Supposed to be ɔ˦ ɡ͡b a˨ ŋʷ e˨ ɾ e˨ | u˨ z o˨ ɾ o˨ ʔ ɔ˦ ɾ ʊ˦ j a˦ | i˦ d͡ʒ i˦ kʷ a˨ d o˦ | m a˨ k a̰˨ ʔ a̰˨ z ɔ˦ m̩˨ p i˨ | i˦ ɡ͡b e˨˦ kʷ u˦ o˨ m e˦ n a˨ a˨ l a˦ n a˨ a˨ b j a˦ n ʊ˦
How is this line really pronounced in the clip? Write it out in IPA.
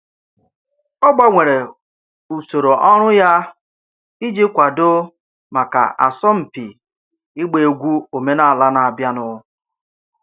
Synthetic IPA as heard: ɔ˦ ɡ͡b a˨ ŋʷ e˨ ɾ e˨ | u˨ s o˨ ɾ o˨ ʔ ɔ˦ ɾ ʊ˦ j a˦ | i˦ d͡ʒ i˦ kʷ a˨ d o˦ | m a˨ k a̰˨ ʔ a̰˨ s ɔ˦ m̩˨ p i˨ | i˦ ɡ͡b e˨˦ ɡʷ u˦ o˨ m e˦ n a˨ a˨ l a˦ n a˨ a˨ b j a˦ n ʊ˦